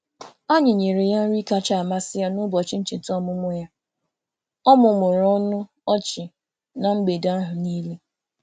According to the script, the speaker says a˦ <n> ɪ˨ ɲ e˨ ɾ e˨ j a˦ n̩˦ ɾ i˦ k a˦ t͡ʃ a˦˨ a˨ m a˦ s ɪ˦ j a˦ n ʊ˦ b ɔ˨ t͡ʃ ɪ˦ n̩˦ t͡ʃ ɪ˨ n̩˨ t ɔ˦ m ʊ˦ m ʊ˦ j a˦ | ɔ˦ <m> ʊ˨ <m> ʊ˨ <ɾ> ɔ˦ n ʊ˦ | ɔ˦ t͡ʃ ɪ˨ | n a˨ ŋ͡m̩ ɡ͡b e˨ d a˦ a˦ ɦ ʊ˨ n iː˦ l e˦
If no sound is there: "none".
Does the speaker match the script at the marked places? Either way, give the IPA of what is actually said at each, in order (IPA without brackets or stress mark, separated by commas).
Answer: ɲ, m, m, ɾ